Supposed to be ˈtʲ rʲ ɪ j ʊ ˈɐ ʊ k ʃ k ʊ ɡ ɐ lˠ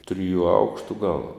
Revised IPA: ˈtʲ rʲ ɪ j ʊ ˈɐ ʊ k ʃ t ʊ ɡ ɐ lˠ

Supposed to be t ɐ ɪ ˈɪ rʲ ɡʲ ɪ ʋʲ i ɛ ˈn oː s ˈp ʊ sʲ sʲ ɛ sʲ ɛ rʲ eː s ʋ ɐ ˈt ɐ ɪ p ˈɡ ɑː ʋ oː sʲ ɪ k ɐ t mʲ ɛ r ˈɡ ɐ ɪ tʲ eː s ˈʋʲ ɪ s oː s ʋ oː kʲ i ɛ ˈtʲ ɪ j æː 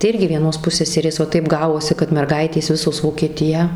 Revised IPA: t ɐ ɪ ˈɪ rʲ ɡʲ ɪ ʋʲ i ɛ ˈn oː s ˈp ʊ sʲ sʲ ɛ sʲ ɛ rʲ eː s ʋ ɐ ˈt ɐ ɪ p ˈɡ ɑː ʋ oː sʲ ɪ k ɐ t mʲ ɛ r ˈɡ ɐ ɪ tʲ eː s ˈʋʲ ɪ s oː s ʋ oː kʲ i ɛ ˈtʲ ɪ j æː

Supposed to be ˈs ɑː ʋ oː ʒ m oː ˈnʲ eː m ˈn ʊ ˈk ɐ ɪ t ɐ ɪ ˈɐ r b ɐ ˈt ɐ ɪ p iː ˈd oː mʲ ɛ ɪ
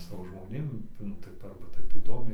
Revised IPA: ˈs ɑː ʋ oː ʒ m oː ˈnʲ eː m ˈn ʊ ˈt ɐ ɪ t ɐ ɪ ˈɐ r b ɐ ˈt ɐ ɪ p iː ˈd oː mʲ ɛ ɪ

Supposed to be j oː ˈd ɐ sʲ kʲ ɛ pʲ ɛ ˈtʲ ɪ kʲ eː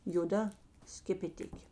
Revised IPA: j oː ˈd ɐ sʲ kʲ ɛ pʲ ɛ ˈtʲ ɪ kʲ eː

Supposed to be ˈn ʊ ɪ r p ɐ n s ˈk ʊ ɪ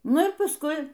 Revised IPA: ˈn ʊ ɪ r p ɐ s ˈk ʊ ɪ

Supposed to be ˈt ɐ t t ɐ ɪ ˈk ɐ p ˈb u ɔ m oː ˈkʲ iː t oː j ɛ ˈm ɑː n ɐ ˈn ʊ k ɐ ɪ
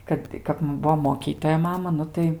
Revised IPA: ˈk ɐ t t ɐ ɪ ˈk ɐ p ˈb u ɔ m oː ˈkʲ iː t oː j ɛ ˈm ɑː m ɐ ˈn ʊ t ɐ ɪ

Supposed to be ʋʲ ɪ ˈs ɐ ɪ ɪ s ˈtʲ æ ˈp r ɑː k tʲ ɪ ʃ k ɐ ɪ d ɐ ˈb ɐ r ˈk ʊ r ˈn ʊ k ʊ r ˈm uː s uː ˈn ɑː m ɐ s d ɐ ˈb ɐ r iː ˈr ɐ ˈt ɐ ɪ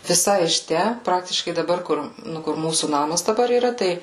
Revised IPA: ʋʲ ɪ ˈs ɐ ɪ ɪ ʃ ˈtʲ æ ˈp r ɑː k tʲ ɪ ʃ k ɐ ɪ d ɐ ˈb ɐ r ˈk ʊ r ˈn ʊ k ʊ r ˈm uː s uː ˈn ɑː m ɐ s d ɐ ˈb ɐ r iː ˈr ɐ ˈt ɐ ɪ

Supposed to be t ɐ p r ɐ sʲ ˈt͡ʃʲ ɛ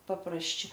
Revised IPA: p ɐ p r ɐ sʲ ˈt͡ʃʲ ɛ

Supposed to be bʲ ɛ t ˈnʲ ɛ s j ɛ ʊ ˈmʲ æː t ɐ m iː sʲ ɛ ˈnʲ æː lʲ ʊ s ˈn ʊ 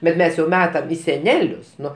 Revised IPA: bʲ ɛ t ˈmʲ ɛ s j ɛ ʊ ˈmʲ æː t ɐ m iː sʲ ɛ ˈnʲ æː lʲ ʊ s ˈn ʊ

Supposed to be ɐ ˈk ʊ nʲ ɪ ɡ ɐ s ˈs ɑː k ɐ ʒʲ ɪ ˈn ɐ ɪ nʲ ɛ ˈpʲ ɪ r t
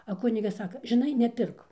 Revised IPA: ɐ ˈk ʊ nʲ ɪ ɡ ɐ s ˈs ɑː k ɐ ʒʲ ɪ ˈn ɐ ɪ nʲ ɛ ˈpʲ ɪ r k

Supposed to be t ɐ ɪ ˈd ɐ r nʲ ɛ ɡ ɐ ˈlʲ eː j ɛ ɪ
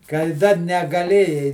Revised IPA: k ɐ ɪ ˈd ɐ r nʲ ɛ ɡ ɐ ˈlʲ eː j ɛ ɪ

